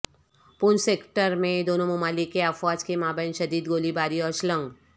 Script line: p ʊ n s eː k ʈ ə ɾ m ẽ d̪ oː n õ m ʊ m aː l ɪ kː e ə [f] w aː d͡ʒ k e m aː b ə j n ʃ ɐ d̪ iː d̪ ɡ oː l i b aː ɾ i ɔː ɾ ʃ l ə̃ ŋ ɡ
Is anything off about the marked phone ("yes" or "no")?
no